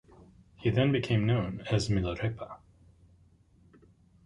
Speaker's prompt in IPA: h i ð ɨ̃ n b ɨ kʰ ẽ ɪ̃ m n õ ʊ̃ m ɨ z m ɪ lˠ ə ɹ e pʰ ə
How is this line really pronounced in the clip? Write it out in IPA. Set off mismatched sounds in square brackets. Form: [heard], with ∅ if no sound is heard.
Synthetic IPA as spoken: h i ð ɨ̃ n b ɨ kʰ ẽ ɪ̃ m n õ ʊ̃ [n] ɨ z m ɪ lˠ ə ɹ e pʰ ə